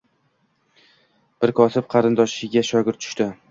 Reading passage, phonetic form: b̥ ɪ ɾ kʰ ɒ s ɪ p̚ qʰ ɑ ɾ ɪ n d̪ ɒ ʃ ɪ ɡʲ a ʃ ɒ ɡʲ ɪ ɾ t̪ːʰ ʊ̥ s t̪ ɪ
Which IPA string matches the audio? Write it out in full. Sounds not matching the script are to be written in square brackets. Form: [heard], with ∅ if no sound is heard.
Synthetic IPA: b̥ ɪ ɾ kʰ ɒ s ɪ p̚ qʰ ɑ ɾ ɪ n d̪ ɒ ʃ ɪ ɡʲ a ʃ ɒ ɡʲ ɪ ɾ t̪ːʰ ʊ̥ [ʃ] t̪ ɪ

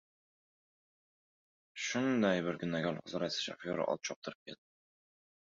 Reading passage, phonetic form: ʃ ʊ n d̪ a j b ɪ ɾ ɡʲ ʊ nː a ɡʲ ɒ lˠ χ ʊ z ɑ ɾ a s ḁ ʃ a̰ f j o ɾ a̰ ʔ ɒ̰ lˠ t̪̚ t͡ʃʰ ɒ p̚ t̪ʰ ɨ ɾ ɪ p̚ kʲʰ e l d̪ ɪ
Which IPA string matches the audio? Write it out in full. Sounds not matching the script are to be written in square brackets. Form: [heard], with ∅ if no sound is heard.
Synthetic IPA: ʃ ʊ n d̪ a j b ɪ ɾ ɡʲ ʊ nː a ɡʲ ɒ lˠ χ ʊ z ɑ ɾ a s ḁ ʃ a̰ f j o ɾ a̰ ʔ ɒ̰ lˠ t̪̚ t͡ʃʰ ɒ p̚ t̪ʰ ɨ ɾ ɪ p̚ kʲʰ e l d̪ ɪ

